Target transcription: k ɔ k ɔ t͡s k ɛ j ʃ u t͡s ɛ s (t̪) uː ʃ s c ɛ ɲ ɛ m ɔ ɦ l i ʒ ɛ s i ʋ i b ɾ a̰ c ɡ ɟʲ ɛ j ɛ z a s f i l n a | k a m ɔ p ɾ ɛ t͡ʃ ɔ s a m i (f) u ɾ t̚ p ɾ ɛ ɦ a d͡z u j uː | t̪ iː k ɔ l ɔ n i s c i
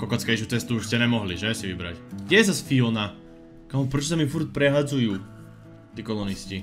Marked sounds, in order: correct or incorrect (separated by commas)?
correct, correct